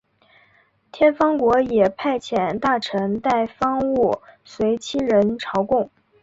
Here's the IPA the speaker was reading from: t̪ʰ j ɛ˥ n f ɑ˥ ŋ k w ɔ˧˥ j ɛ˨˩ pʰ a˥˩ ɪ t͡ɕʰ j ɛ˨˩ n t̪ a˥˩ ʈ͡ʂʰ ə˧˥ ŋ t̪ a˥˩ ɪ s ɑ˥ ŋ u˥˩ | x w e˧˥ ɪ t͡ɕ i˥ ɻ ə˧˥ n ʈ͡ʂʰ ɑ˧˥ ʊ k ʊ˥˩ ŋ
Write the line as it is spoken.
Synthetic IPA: t̪ʰ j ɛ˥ n f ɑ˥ ŋ k w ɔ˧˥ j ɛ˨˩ pʰ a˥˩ ɪ t͡ɕʰ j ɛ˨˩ n t̪ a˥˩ ʈ͡ʂʰ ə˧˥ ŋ t̪ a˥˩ ɪ f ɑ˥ ŋ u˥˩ | s w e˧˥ ɪ t͡ɕʰ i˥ ɻ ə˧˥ n ʈ͡ʂʰ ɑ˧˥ ʊ k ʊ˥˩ ŋ